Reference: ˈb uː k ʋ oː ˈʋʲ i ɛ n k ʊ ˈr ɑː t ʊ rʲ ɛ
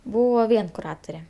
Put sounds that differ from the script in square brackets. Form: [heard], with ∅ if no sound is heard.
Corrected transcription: ˈb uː [∅] ʋ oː ˈʋʲ i ɛ n k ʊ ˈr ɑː t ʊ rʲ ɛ